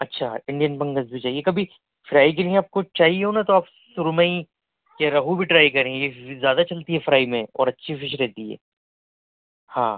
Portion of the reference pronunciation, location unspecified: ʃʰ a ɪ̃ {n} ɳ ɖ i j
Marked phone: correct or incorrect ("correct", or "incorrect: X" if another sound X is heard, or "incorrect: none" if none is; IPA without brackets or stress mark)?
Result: incorrect: none